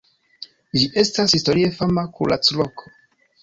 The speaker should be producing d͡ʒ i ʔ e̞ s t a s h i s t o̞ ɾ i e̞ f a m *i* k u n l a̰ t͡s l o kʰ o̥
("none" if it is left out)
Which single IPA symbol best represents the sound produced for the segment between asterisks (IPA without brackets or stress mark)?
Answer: a